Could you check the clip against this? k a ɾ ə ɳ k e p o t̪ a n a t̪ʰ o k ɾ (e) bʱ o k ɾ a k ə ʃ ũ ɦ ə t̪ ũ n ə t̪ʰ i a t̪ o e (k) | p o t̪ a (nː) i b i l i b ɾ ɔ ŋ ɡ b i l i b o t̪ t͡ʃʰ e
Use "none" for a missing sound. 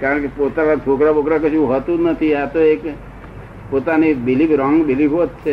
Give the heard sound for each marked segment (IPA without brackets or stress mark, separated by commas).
a, k, n